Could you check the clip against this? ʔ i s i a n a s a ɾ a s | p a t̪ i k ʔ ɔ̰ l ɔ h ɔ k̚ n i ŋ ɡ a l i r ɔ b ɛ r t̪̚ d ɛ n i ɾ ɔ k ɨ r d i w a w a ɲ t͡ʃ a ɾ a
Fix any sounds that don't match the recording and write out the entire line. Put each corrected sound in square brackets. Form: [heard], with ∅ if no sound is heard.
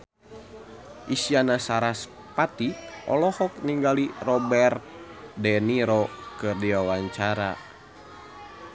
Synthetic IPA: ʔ i s i a n a s a ɾ a s | p a t̪ i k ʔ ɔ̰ l ɔ h ɔ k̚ n i ŋ ɡ a l i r ɔ b ɛ r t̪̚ d ɛ n i ɾ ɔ k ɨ r d i w a w a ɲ t͡ʃ a ɾ a